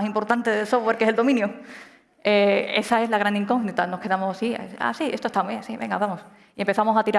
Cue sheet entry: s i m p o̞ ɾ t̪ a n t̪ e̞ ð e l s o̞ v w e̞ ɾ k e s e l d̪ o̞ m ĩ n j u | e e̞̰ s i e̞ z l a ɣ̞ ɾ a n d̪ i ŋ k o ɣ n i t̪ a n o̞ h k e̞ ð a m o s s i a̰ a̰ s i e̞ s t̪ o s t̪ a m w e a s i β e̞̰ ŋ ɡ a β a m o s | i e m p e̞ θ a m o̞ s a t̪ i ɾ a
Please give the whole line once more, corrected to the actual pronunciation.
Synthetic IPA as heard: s i m p o̞ ɾ t̪ a n t̪ e̞ ð e l s o̞ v w e̞ ɾ k e s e l d̪ o̞ m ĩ n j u | e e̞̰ s a e̞ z l a ɣ̞ ɾ a n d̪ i ŋ k o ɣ n i t̪ a n o̞ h k e̞ ð a m o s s i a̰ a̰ s i e̞ s t̪ o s t̪ a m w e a s i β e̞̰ ŋ ɡ a β a m o s | i e m p e̞ θ a m o̞ s a t̪ i ɾ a